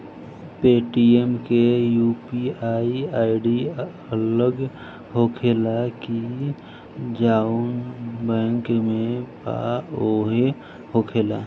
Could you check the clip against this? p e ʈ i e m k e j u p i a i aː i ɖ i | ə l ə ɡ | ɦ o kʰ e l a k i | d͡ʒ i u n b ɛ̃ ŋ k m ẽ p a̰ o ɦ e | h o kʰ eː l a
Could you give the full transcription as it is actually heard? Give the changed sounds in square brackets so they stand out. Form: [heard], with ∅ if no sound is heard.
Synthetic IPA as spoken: p e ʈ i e m k e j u p i a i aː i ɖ i | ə l ə ɡ | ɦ o kʰ e l a k i | d͡ʒ [a] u n b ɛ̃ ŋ k m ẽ p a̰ o ɦ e | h o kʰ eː l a